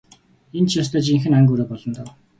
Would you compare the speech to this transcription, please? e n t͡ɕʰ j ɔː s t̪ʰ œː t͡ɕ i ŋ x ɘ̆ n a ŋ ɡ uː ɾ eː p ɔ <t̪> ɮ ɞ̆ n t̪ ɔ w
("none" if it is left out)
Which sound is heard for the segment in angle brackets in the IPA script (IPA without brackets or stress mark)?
none